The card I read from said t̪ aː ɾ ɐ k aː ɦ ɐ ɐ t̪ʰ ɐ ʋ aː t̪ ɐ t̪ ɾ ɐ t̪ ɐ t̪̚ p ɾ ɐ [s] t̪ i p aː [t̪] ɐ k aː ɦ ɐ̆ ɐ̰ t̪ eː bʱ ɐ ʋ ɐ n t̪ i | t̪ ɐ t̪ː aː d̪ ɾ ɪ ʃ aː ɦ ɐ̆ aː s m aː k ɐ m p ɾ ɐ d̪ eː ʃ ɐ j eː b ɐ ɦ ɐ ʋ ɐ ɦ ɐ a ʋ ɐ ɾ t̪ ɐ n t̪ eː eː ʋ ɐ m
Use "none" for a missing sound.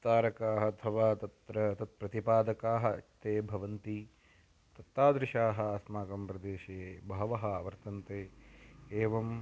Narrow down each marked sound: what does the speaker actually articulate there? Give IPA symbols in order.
none, d̪

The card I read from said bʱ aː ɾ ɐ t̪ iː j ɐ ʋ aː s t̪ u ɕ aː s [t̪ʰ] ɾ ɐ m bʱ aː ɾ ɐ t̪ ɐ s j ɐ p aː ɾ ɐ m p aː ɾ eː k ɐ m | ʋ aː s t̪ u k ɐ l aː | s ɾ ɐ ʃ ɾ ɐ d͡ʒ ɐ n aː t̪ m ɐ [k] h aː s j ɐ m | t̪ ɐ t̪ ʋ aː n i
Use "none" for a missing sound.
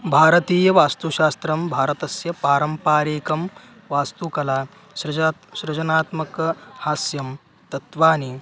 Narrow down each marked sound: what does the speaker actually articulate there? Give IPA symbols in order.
t̪, k

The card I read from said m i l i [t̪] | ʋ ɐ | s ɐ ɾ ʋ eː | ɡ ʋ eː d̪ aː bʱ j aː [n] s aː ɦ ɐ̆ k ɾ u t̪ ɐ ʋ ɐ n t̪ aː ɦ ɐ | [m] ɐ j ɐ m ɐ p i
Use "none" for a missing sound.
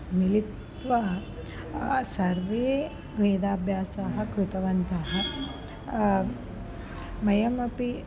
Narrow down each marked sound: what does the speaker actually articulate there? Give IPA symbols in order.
t̪, none, m

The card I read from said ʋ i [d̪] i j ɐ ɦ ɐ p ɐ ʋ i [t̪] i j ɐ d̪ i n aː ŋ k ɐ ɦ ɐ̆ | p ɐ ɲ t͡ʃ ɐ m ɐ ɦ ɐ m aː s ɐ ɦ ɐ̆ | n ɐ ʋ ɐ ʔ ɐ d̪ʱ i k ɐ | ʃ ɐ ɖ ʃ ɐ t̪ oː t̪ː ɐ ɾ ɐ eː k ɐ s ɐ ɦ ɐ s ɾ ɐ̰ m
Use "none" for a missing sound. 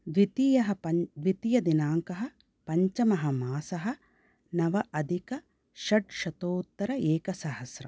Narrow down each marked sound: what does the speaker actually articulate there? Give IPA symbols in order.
t̪, t̪

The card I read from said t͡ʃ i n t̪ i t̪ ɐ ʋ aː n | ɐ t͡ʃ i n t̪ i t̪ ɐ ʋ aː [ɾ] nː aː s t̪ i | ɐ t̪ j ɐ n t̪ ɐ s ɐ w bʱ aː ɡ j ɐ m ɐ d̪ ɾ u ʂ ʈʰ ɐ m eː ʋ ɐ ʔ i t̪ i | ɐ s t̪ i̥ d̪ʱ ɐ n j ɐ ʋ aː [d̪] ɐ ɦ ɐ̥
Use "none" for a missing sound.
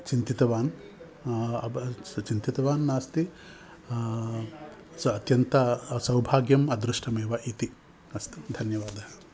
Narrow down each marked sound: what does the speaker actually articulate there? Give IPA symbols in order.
none, d̪

